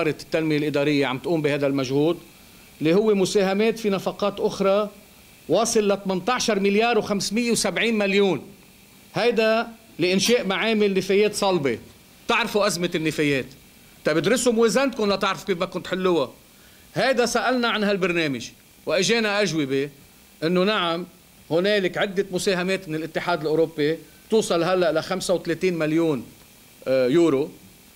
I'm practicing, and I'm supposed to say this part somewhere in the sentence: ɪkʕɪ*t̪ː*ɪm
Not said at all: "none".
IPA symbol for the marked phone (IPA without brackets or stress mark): d̪ː